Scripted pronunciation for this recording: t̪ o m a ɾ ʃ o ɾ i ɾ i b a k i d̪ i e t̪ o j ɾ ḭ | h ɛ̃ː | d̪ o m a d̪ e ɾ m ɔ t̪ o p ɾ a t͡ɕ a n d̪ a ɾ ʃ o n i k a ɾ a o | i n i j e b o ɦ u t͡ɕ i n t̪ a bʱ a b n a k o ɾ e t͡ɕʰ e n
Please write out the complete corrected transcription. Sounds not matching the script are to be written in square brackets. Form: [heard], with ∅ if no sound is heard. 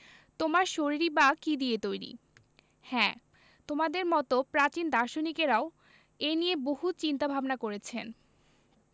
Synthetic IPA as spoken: t̪ o m a ɾ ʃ o ɾ i ɾ i b a k i d̪ i e t̪ o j ɾ ḭ | h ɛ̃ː | [t̪] o m a d̪ e ɾ m ɔ t̪ o p ɾ a t͡ɕ [i] n d̪ a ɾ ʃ o n i k [e] ɾ a o | [e] n i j e b o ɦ u t͡ɕ i n t̪ a bʱ a b n a k o ɾ e t͡ɕʰ e n

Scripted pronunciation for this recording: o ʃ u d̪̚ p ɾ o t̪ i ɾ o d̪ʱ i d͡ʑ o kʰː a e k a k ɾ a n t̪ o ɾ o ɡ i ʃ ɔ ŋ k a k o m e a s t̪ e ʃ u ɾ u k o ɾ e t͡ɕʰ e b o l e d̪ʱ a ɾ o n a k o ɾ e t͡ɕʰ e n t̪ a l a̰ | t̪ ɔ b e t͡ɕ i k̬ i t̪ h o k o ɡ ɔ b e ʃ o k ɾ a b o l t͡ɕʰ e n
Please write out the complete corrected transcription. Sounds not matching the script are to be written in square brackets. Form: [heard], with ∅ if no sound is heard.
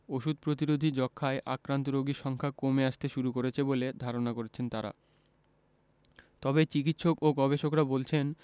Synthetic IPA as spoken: o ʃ u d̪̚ p ɾ o t̪ i ɾ o d̪ʱ i d͡ʑ [ɔ] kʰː a e [ʔ] a k ɾ a n t̪ o ɾ o ɡ i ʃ ɔ ŋ [kʰ] a k o m e a [ʃ] t̪ e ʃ u ɾ u k o ɾ e t͡ɕʰ e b o l e d̪ʱ a ɾ o n a k o ɾ e t͡ɕʰ e n t̪ a [ɾ] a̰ | t̪ ɔ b e t͡ɕ i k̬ i t̪ [ʃ] o k o ɡ ɔ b e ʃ o k ɾ a b o l t͡ɕʰ e n

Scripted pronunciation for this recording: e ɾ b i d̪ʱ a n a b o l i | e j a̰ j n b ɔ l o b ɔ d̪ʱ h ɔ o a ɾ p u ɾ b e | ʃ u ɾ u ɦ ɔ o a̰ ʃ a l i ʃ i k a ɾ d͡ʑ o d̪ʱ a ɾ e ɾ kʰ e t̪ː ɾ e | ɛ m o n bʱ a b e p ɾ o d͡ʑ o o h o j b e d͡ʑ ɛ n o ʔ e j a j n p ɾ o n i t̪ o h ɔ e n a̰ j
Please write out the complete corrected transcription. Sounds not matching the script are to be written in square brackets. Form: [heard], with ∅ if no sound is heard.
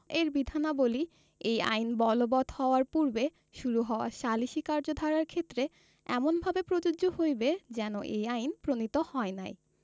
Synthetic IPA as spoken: e ɾ b i d̪ʱ a n a b o l i | e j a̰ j n b ɔ l o b ɔ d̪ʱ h ɔ o a ɾ p u ɾ b e | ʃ u ɾ u ɦ ɔ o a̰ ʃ a l i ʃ i k a ɾ d͡ʑ o d̪ʱ a ɾ [a] ɾ kʰ e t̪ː ɾ e | ɛ m o n bʱ a b e p ɾ o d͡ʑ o o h o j b e d͡ʑ ɛ n o ʔ e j a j n p ɾ o n i t̪ o h ɔ e n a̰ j

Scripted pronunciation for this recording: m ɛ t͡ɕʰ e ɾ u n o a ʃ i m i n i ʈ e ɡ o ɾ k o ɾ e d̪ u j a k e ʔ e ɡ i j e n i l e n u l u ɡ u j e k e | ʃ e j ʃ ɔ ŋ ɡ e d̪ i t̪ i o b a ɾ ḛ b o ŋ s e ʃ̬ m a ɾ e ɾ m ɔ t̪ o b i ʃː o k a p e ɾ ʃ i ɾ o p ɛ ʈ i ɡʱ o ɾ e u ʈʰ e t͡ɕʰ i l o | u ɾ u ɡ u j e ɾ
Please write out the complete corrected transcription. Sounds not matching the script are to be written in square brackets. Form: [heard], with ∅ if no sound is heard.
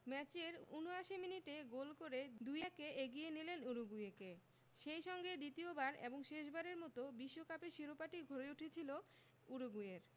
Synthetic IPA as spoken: m ɛ [t͡ɕ] e ɾ u n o a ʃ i m i n i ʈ e ɡ o [l] k o ɾ e d̪ u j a k e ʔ e ɡ i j e n i l e n u [ɾ] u ɡ u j e k e | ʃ e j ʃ ɔ ŋ ɡ e d̪ i t̪ i o b a ɾ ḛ b o ŋ [ʃ] e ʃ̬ [b] a ɾ e ɾ m ɔ t̪ o b i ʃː o k a p e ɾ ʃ i ɾ o p [a] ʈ i ɡʱ o ɾ e u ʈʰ e t͡ɕʰ i l o | u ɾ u ɡ u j e ɾ

